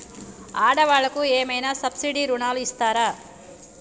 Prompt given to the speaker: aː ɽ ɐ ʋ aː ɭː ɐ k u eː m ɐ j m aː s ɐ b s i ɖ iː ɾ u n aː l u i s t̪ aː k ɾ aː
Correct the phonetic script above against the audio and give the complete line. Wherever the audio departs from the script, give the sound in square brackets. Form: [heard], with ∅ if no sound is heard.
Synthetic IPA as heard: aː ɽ ɐ ʋ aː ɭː ɐ k u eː m ɐ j [n] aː s ɐ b s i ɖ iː ɾ u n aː l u i s t̪ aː [∅] ɾ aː